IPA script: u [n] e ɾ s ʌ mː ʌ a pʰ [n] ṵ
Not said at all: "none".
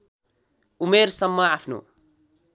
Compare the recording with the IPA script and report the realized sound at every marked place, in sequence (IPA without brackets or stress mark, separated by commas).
m, n